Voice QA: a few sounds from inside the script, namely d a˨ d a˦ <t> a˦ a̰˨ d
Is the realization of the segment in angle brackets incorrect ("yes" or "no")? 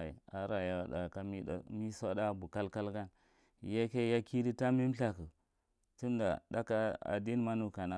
yes